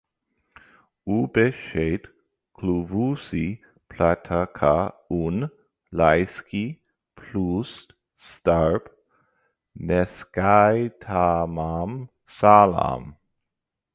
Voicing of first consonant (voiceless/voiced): voiced